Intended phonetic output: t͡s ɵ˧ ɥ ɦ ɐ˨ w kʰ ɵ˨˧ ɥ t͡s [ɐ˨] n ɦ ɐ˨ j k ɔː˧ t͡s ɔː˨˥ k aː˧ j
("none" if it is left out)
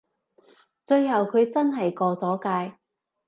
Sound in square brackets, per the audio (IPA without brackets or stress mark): ɐ˥